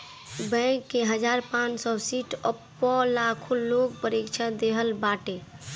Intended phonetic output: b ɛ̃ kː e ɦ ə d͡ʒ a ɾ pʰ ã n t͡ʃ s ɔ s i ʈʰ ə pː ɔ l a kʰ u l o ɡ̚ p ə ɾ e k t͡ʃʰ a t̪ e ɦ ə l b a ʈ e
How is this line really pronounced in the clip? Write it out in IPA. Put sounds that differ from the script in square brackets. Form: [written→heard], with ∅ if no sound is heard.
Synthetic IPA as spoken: b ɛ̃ kː e ɦ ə d͡ʒ a ɾ [pʰ→p] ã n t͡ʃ s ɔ s i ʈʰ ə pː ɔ l a kʰ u l o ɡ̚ p ə ɾ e k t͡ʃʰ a [t̪→d̪] e ɦ ə l b a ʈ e

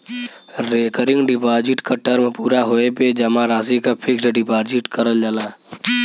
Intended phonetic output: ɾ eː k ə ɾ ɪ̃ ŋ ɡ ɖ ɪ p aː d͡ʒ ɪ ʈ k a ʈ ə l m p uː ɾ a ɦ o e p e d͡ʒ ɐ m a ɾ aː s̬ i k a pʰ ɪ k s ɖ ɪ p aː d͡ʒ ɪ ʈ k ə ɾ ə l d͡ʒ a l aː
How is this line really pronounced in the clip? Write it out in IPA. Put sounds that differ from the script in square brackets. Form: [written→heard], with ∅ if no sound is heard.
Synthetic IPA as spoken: ɾ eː k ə ɾ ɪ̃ ŋ ɡ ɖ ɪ p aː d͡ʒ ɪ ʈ k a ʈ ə [l→ɾ] m p uː ɾ a ɦ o e p e d͡ʒ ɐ m a ɾ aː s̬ i k a pʰ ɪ k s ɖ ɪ p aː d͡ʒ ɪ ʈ k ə ɾ ə l d͡ʒ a l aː

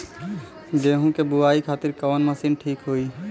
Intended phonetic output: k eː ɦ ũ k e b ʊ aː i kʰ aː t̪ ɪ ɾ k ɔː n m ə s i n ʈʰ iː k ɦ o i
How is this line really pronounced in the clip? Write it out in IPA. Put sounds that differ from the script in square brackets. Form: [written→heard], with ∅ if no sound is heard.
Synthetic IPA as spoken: [k→ɡ] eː ɦ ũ k e b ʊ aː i kʰ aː t̪ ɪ ɾ k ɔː n m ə s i n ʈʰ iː k ɦ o i

